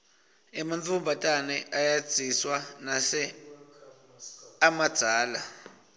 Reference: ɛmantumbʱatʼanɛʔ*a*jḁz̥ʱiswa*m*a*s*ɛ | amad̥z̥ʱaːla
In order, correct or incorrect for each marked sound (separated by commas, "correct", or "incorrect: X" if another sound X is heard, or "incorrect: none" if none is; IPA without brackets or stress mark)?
correct, incorrect: n, correct